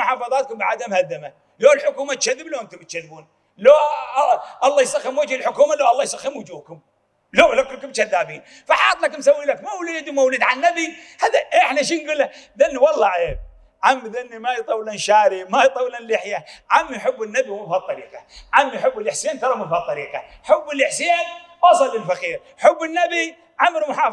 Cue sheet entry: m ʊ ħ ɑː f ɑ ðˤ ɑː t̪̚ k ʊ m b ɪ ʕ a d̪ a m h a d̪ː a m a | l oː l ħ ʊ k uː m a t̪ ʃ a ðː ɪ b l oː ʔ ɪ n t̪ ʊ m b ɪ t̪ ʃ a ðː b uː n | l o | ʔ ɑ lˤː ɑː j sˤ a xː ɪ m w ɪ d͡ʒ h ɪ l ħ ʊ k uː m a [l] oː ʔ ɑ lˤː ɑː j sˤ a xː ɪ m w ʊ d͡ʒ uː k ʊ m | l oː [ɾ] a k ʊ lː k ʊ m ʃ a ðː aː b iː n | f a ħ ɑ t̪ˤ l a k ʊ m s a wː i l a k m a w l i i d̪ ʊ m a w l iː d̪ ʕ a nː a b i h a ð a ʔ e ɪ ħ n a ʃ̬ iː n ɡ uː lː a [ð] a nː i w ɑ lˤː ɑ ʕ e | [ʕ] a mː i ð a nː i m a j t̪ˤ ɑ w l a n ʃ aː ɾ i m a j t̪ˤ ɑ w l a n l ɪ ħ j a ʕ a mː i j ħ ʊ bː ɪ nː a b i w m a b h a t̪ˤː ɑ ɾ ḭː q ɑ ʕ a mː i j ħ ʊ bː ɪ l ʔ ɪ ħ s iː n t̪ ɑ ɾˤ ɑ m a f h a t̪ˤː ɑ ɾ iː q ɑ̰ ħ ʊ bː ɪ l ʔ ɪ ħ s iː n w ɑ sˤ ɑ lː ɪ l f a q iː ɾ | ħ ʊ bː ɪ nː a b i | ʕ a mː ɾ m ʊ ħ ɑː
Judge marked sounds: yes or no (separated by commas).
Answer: yes, no, yes, yes